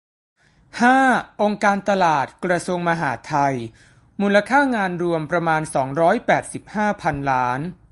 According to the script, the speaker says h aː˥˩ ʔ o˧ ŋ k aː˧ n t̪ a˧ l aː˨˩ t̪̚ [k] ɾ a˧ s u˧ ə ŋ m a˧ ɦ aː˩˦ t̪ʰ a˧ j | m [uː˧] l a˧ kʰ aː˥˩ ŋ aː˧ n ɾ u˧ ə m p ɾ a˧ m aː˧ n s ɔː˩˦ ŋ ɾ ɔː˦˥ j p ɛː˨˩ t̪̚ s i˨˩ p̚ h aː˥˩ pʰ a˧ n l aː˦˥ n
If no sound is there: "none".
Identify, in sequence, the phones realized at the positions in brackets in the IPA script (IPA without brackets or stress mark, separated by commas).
k, uː˧